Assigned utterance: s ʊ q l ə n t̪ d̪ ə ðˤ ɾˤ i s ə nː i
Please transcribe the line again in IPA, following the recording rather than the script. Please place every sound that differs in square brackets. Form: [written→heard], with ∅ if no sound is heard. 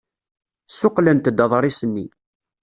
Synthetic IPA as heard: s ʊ q l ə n t̪ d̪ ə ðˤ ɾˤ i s ə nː i